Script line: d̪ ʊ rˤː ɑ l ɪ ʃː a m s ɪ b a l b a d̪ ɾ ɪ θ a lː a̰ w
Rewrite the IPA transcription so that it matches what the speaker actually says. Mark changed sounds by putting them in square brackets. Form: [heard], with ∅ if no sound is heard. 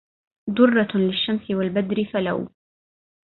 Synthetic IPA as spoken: d̪ ʊ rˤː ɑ l ɪ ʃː a m s ɪ [w] a l b a d̪ ɾ ɪ [f] a [l] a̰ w